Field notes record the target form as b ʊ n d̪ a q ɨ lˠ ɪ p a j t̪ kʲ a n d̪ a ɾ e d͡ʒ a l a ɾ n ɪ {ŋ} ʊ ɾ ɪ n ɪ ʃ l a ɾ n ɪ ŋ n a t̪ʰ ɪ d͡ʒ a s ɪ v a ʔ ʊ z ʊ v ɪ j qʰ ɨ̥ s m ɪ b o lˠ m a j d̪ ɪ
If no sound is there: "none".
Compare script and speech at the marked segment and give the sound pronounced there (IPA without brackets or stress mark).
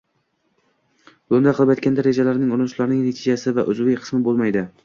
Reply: ŋ